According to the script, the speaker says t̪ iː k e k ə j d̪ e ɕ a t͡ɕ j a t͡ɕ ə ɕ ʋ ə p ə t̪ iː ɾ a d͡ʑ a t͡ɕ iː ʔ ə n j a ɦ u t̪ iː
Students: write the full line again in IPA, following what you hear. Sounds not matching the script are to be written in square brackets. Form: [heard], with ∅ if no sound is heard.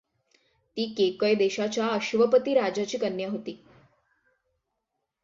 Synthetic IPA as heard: t̪ iː k e k ə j d̪ e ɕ a t͡ɕ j a [∅] ə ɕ ʋ ə p ə t̪ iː ɾ a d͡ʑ a t͡ɕ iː [k] ə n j a ɦ [o] t̪ iː

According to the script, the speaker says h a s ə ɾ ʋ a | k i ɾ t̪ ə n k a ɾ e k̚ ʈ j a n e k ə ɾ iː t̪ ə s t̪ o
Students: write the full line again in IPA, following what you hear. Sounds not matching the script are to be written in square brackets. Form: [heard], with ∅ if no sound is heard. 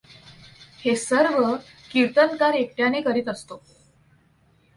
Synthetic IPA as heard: h [e] s ə ɾ ʋ [ə] | k i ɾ t̪ ə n k a ɾ e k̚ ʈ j a n e k ə ɾ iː t̪ ə s t̪ o

